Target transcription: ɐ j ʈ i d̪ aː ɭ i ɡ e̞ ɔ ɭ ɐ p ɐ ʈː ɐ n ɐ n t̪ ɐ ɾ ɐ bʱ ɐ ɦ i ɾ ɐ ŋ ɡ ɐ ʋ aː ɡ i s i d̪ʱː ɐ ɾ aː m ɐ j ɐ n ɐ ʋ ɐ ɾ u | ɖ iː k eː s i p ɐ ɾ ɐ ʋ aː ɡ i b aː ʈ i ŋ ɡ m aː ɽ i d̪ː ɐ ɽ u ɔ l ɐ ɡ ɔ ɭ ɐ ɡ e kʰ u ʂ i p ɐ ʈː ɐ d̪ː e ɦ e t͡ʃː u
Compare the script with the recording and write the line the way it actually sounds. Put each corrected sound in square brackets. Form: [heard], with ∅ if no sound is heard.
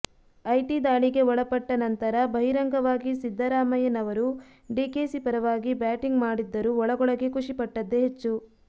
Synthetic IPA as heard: ɐ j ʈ i d̪ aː ɭ i ɡ e̞ ɔ ɭ ɐ p ɐ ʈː ɐ n ɐ n t̪ ɐ ɾ ɐ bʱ ɐ ɦ i ɾ ɐ ŋ ɡ ɐ ʋ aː ɡ i s i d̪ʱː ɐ ɾ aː m ɐ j ɐ n ɐ ʋ ɐ ɾ u | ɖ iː k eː s i p ɐ ɾ ɐ ʋ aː ɡ i b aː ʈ i ŋ ɡ m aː ɽ i d̪ː ɐ [ɾ] u ɔ [ɭ] ɐ ɡ ɔ ɭ ɐ ɡ e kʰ u ʂ i p ɐ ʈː ɐ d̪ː e ɦ e t͡ʃː u